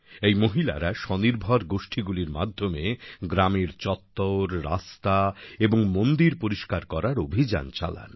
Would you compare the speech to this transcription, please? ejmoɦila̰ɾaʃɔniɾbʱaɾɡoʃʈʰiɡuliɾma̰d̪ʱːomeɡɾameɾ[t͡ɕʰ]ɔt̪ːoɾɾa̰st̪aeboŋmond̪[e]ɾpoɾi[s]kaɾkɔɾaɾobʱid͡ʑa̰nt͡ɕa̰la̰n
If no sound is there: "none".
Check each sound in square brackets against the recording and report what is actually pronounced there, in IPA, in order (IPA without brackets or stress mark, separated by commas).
t͡ɕ, i, ʃ